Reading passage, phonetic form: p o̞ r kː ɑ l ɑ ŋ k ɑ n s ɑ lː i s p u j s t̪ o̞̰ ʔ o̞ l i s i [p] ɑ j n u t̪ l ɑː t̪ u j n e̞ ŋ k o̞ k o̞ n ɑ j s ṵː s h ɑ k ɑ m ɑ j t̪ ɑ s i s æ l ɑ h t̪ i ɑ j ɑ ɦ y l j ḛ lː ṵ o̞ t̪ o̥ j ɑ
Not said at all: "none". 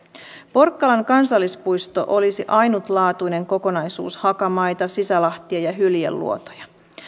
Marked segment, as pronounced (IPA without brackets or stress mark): ʔ